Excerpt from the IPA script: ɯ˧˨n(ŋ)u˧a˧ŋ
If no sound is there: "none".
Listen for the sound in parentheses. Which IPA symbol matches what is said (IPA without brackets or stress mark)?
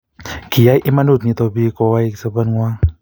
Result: ŋ